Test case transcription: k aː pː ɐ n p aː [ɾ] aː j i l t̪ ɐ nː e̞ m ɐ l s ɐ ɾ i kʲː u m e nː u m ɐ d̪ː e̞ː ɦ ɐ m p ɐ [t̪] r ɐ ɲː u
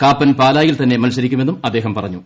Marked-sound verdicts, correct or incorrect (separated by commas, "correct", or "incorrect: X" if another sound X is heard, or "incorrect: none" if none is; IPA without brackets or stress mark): incorrect: l, incorrect: none